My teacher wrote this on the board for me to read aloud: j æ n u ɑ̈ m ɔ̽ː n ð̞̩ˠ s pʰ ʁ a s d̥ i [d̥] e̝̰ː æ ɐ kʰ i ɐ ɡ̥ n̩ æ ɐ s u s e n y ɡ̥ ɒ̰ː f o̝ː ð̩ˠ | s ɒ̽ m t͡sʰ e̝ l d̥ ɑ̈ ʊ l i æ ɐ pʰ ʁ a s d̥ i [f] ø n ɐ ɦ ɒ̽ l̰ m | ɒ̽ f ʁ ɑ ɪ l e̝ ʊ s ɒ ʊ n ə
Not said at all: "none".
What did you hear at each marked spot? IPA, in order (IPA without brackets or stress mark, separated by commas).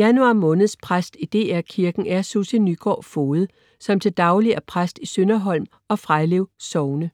d̥, s